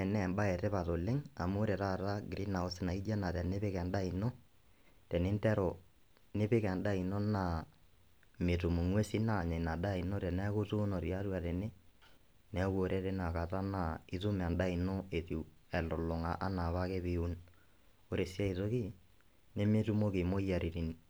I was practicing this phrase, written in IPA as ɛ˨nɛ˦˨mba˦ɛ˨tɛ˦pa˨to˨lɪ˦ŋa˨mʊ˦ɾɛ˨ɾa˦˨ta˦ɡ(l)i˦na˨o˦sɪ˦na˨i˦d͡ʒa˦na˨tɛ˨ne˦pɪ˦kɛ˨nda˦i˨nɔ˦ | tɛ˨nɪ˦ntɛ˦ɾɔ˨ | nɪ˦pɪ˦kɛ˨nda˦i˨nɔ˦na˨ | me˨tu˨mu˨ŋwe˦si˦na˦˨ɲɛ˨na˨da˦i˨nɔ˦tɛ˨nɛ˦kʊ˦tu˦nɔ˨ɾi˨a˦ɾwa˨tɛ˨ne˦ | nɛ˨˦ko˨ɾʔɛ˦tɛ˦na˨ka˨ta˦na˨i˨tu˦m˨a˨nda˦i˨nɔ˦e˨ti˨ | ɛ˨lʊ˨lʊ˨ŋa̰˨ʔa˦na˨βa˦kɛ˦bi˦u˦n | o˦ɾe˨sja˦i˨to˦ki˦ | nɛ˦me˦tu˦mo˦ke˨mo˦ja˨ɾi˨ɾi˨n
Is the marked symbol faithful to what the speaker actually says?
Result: no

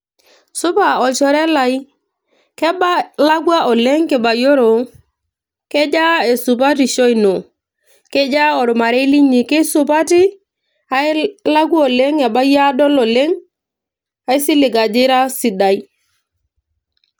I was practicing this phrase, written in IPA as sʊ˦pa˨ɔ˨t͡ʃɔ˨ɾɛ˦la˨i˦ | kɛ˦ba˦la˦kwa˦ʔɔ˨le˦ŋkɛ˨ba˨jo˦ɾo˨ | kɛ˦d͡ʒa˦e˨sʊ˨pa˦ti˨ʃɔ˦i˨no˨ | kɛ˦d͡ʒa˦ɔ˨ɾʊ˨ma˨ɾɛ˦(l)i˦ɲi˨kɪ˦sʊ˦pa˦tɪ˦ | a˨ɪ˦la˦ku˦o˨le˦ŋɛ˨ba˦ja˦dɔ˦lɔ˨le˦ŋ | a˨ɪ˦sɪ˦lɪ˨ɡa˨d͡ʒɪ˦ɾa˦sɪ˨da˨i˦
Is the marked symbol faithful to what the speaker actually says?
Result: yes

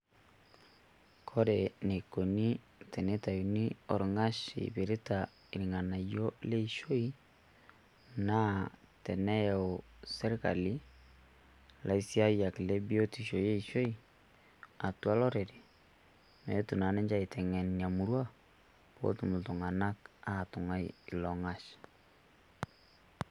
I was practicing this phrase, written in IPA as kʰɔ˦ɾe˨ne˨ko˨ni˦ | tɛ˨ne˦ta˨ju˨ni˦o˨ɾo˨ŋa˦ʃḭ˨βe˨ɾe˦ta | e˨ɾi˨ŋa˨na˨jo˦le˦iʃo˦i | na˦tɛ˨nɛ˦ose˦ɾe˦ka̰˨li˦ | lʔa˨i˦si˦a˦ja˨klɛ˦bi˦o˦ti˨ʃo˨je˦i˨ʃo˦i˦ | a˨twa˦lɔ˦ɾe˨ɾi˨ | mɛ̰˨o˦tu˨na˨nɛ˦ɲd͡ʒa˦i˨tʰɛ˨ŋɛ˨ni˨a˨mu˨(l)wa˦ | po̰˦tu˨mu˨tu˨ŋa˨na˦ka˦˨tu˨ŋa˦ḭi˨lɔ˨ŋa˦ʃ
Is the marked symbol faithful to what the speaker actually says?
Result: no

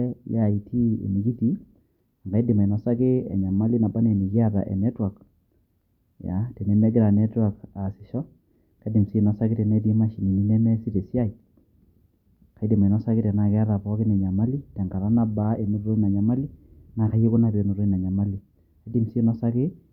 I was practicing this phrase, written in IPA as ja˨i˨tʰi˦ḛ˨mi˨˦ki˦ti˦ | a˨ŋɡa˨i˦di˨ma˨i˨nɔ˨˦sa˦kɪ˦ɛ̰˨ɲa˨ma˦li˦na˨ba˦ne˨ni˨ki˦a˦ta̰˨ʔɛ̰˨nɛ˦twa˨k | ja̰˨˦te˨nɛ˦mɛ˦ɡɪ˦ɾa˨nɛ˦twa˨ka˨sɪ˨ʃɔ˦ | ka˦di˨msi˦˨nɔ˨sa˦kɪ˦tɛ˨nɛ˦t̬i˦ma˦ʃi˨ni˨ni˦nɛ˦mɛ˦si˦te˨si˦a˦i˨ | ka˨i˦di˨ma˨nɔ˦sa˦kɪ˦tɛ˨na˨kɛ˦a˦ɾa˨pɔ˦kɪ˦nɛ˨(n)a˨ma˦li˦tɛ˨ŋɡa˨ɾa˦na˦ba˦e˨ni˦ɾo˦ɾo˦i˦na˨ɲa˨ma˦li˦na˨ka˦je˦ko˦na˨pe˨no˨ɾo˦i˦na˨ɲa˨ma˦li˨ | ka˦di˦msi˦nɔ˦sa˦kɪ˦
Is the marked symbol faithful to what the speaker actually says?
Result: no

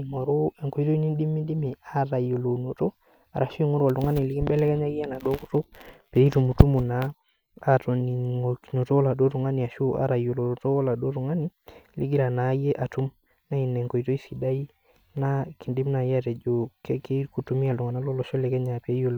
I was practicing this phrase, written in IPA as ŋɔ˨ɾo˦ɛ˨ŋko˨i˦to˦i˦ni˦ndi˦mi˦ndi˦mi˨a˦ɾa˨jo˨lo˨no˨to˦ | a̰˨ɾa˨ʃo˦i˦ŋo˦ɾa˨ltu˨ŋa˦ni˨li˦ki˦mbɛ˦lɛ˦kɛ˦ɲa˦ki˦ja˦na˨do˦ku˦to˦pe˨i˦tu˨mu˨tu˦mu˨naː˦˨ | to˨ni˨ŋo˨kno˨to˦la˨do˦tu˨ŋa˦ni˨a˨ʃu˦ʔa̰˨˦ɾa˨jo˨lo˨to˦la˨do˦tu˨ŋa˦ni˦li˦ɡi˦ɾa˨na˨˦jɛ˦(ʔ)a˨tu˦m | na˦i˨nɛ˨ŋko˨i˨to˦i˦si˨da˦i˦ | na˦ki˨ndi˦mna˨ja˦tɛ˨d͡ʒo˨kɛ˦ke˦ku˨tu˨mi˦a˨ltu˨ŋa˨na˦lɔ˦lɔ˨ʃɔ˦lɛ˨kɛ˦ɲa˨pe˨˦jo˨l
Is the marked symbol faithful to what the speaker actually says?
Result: yes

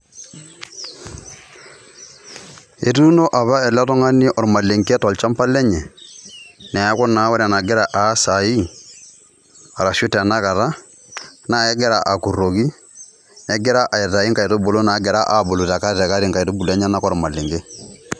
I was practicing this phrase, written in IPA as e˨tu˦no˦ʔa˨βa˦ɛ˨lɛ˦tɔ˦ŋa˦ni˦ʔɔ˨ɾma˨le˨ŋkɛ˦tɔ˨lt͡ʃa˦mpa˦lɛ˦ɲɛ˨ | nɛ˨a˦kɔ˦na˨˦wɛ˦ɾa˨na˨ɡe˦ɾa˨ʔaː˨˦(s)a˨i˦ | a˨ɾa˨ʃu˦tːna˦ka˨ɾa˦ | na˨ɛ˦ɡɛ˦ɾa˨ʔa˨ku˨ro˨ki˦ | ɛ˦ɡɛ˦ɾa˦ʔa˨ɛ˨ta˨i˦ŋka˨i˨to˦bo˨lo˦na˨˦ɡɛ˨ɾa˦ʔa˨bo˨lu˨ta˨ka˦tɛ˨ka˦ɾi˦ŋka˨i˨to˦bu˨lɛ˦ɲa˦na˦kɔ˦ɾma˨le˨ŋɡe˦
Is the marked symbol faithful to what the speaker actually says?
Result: yes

